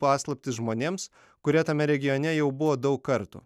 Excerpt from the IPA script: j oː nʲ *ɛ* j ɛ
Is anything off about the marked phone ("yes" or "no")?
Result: no